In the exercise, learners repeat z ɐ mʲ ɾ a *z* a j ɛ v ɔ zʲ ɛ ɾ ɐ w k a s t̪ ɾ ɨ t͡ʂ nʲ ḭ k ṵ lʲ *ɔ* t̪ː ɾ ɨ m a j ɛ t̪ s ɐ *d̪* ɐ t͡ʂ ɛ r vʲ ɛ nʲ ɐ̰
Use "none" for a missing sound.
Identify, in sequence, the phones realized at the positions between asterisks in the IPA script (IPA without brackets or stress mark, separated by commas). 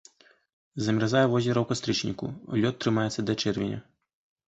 z, ɔ, d̪